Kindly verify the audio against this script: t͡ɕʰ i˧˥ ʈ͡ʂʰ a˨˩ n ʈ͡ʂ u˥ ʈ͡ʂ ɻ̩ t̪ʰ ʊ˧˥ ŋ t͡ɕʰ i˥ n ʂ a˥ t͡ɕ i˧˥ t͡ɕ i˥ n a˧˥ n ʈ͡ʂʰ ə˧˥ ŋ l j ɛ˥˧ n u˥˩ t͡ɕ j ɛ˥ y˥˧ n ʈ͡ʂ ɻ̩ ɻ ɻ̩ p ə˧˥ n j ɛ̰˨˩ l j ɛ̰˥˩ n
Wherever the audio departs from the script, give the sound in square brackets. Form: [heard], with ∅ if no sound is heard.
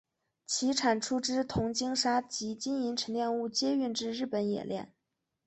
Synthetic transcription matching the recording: t͡ɕʰ i˧˥ ʈ͡ʂʰ a˨˩ n [ʈ͡ʂʰ] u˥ ʈ͡ʂ ɻ̩ t̪ʰ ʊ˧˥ ŋ [t͡ɕ] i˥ [ŋ] ʂ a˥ t͡ɕ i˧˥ t͡ɕ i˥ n [i˧˥] n ʈ͡ʂʰ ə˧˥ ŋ l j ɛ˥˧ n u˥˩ t͡ɕ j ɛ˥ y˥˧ n ʈ͡ʂ ɻ̩ ɻ ɻ̩ p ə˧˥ n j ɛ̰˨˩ l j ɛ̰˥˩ n